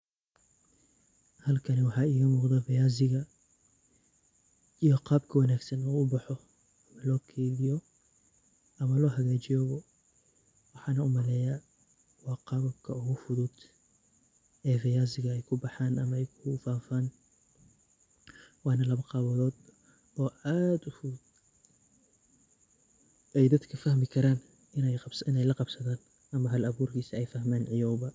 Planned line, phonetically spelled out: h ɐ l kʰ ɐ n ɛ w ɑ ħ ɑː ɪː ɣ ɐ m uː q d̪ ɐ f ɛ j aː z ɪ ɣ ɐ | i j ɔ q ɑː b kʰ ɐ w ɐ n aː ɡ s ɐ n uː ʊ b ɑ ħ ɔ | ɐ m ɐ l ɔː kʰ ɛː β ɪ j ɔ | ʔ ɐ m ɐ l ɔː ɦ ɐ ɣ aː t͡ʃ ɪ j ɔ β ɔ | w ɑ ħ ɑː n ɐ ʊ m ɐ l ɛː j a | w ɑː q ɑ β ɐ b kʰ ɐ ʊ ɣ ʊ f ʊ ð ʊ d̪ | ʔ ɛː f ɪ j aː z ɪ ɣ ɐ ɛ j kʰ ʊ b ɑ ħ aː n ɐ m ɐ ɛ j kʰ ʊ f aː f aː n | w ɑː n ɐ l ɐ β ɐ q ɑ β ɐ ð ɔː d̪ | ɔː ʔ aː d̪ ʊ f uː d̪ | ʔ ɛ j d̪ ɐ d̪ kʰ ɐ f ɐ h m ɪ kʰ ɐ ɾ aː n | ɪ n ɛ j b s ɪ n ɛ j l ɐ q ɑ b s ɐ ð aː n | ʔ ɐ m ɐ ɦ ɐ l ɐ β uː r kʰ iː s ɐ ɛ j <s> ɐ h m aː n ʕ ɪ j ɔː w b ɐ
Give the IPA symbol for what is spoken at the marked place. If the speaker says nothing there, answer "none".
f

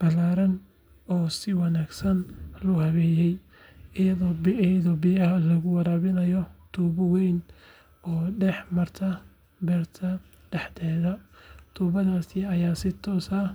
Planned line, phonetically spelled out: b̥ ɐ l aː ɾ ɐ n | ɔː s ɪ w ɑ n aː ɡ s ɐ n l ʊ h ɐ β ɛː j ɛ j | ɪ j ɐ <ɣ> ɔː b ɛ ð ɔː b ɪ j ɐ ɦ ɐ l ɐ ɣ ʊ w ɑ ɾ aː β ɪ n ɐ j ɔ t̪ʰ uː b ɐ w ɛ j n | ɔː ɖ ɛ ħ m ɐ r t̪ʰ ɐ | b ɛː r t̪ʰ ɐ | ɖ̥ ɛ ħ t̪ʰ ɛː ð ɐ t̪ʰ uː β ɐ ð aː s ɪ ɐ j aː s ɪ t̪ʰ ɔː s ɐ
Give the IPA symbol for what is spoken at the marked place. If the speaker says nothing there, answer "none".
ð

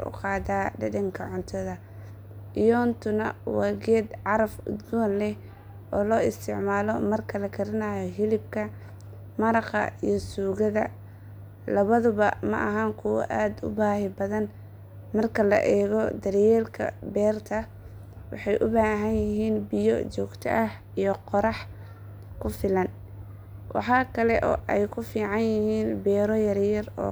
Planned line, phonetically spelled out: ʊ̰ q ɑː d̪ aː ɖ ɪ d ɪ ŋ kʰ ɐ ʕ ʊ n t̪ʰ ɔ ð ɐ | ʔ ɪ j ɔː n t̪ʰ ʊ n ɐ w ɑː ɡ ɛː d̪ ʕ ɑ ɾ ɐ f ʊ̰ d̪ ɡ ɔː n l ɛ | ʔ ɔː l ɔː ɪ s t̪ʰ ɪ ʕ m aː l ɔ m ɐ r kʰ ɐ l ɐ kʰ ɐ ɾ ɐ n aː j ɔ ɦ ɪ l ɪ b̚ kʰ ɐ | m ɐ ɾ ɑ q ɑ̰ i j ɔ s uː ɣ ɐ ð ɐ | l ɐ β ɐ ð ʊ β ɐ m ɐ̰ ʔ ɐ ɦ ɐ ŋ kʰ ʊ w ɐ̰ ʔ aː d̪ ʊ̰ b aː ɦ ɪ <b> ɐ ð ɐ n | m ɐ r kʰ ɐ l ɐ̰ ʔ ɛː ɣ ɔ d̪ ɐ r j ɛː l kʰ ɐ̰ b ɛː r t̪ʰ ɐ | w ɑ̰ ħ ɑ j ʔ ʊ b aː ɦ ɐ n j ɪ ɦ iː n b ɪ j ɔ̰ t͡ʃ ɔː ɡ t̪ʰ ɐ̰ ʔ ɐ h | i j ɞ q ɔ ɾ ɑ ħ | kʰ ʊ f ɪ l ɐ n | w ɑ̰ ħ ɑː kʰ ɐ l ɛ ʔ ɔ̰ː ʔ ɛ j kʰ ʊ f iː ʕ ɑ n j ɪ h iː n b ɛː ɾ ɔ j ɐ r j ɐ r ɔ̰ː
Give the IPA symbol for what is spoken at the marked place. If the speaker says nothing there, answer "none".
b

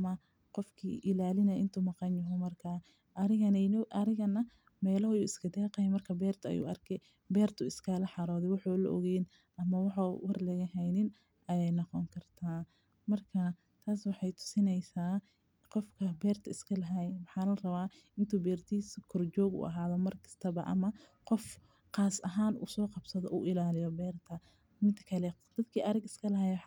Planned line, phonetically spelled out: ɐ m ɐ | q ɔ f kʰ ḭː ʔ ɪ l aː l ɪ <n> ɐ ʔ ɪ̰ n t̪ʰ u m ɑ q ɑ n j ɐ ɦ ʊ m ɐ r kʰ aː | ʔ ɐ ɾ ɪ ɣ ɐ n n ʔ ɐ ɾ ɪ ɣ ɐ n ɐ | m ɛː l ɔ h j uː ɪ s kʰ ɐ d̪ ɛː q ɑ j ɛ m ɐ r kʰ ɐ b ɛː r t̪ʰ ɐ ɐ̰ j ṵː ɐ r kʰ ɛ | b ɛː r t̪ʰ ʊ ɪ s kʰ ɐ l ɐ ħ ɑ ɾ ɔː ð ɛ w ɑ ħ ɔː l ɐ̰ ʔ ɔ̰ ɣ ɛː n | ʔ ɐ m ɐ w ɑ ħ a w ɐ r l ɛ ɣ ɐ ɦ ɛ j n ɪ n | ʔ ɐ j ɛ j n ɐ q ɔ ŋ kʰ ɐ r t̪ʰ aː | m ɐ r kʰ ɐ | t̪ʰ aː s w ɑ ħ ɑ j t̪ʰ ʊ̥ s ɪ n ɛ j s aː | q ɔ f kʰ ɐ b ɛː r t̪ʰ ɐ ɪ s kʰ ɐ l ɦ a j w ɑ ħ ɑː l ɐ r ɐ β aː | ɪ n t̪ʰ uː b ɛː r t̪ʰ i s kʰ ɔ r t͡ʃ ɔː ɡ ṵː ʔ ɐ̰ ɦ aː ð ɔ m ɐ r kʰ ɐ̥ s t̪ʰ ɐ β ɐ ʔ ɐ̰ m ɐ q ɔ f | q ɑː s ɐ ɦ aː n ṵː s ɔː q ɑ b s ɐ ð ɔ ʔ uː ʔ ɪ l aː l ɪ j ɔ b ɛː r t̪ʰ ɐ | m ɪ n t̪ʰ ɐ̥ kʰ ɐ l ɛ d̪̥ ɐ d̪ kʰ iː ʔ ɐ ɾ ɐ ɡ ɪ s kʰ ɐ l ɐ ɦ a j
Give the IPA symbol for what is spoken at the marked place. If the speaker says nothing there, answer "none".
n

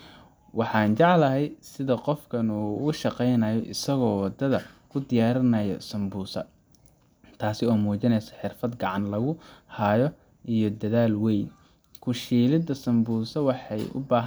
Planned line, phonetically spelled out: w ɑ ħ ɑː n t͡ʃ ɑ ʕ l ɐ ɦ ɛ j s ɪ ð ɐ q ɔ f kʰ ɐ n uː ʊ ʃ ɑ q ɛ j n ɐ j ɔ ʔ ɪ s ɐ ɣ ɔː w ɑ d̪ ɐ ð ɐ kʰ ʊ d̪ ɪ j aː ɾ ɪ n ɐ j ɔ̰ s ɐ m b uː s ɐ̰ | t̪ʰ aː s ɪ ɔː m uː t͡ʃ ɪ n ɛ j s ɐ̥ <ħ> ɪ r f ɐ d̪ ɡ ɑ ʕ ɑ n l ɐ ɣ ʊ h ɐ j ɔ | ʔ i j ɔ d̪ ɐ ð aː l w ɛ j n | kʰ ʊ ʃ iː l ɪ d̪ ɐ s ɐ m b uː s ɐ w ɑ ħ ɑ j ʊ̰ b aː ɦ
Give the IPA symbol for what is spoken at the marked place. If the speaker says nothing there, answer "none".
ħ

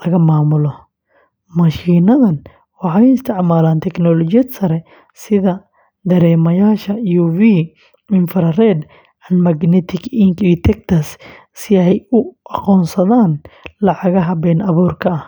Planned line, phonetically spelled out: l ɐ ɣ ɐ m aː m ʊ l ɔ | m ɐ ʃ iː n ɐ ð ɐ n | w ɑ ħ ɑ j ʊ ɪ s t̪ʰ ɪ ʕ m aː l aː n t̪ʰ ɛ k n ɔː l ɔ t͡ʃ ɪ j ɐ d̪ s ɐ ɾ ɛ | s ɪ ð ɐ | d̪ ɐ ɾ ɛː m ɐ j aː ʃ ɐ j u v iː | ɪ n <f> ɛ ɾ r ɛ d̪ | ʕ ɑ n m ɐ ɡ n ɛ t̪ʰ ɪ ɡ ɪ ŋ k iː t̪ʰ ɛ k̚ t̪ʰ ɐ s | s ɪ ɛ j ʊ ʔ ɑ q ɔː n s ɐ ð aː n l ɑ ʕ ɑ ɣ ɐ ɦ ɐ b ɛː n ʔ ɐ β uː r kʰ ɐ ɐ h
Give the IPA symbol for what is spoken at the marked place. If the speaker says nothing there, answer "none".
f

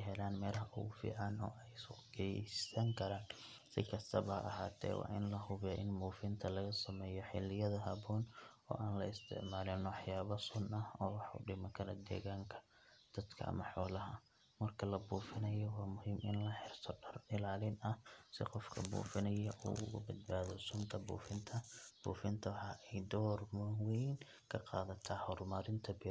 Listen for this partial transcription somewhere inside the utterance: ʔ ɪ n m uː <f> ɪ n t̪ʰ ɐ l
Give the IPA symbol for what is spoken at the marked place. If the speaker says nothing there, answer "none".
f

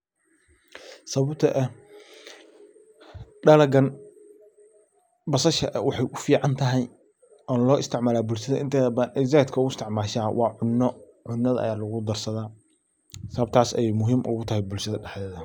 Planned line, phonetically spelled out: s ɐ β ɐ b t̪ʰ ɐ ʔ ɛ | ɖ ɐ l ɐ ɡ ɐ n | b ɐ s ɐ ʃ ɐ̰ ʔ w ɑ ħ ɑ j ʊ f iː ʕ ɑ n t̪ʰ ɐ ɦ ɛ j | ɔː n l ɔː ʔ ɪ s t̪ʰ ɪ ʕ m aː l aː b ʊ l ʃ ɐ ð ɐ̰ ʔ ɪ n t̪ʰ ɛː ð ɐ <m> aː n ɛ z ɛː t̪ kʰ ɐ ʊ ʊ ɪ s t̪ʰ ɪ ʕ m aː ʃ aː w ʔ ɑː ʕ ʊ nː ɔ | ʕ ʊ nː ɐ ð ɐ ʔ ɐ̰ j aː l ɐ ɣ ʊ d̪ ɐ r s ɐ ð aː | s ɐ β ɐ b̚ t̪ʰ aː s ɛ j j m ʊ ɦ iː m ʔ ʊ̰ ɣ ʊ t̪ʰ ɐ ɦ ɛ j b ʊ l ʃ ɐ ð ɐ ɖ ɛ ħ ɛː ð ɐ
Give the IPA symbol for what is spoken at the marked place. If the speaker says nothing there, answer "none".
b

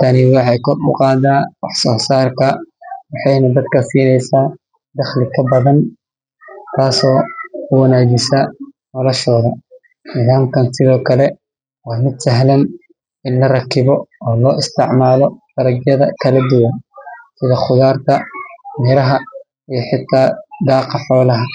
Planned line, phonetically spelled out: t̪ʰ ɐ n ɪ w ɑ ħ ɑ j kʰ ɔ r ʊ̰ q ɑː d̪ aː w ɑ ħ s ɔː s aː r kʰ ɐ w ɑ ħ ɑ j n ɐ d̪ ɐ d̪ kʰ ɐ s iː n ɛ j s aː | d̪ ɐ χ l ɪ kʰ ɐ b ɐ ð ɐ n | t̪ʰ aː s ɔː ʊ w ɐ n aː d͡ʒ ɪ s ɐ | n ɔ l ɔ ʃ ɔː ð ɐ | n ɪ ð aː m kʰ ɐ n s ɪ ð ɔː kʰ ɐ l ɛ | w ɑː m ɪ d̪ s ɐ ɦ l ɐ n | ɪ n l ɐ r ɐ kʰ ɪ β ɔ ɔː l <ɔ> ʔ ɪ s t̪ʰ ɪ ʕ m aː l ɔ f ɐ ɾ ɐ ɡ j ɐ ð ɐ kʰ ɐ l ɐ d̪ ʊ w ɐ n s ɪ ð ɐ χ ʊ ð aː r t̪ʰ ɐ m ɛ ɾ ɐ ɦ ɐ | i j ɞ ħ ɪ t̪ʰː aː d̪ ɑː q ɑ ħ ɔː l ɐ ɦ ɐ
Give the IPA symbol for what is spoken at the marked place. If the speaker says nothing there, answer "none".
ɔː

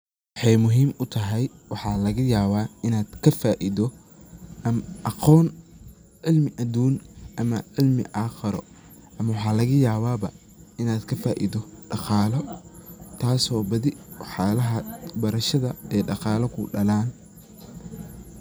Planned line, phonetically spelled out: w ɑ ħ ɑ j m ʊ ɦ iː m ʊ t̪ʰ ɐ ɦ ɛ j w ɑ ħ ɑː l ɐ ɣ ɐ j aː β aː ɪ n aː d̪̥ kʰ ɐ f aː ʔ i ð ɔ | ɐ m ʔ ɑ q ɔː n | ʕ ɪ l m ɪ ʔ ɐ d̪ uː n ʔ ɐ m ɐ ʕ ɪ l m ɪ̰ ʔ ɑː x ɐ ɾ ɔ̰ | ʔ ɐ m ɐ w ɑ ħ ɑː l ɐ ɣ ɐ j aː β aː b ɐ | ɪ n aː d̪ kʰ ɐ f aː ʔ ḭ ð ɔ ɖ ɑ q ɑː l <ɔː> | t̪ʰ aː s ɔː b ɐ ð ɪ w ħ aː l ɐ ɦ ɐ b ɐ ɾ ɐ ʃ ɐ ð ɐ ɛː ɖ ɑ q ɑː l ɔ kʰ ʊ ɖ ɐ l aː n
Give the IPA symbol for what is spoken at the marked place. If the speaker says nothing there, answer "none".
ɔ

